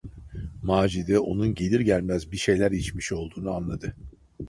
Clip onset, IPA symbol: m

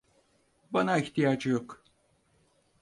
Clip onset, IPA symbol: b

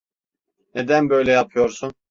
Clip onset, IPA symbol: n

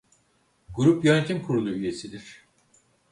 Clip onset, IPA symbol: ɡ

